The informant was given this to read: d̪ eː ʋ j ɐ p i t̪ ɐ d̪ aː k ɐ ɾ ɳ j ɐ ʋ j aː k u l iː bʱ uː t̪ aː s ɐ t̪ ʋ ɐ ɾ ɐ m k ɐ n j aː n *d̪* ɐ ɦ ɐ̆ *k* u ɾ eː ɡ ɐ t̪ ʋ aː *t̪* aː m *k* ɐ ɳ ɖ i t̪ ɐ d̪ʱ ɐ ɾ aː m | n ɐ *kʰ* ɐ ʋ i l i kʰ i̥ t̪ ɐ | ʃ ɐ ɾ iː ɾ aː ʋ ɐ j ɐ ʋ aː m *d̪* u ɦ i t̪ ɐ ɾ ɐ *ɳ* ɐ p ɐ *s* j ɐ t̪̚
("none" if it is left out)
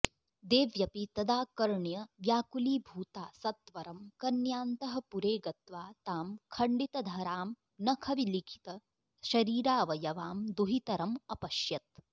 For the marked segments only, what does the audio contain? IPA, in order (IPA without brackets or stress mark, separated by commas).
t̪, p, t̪, kʰ, kʰ, d̪, m, ʃ